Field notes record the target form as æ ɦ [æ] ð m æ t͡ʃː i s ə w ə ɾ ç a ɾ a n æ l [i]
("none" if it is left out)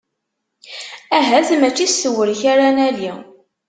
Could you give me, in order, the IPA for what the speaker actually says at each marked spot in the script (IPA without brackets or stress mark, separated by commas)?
æ, i